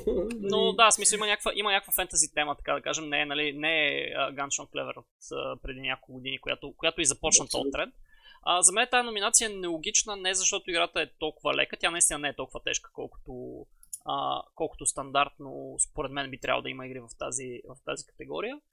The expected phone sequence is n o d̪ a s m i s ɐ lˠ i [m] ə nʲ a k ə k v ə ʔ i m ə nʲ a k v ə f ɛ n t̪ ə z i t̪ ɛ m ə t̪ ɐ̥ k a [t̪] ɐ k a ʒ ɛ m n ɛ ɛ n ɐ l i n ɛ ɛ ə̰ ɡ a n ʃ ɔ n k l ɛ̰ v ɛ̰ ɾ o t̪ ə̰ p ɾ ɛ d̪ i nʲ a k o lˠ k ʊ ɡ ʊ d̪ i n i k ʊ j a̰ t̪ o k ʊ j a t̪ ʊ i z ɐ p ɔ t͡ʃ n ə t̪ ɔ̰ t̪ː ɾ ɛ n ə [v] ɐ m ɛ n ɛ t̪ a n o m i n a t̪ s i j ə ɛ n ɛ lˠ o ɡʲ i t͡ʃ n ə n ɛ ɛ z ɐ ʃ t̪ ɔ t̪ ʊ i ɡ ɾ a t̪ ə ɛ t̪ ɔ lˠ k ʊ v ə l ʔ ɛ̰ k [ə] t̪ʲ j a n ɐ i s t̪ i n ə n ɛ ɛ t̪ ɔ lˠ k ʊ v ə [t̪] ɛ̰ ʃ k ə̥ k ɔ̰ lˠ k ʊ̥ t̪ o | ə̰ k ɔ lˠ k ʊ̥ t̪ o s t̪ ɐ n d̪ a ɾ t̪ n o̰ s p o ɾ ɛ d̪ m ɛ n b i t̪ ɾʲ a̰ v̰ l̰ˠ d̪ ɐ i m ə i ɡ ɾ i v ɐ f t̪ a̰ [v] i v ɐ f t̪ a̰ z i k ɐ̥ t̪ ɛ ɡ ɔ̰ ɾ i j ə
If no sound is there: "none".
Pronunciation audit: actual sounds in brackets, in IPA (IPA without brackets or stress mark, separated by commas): m, d̪, z, ə, t̪, z